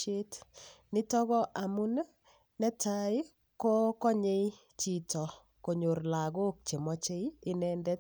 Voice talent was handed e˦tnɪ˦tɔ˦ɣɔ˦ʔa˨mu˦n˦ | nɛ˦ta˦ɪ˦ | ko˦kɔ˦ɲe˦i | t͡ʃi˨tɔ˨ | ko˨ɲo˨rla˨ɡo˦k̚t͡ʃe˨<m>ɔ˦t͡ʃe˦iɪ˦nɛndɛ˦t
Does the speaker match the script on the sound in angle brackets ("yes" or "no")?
yes